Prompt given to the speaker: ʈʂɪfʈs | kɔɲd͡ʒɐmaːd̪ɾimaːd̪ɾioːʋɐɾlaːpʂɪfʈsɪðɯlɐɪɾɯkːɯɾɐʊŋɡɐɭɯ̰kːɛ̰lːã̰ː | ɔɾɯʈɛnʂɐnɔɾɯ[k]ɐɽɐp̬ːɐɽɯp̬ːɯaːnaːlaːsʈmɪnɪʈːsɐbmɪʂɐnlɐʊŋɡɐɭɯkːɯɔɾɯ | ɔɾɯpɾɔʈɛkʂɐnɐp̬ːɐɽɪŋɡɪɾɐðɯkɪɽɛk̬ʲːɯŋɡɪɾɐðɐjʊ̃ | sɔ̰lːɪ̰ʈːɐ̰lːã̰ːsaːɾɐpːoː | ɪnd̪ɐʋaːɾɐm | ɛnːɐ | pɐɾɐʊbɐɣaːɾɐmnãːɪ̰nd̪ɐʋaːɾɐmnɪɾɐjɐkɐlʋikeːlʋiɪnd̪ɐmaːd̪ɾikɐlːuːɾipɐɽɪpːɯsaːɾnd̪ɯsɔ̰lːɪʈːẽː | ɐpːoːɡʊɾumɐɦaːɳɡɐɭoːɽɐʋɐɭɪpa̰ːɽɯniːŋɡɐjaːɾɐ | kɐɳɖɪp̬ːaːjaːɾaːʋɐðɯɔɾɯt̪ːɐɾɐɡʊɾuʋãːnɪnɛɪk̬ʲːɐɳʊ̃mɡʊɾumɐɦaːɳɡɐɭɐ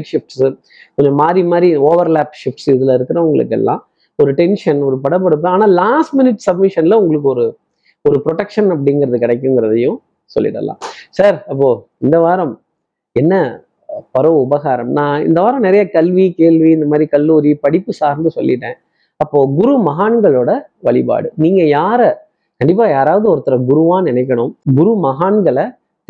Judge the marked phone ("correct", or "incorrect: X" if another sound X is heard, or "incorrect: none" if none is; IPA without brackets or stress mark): incorrect: p